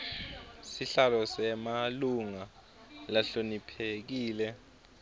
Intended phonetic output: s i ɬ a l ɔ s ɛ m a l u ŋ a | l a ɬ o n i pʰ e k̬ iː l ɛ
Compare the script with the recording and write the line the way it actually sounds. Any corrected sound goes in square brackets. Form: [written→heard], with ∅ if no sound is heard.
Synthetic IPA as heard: s i ɬ a l ɔ s ɛ m a l u ŋ a | l a ɬ o n i pʰ e k̬ iː l ɛ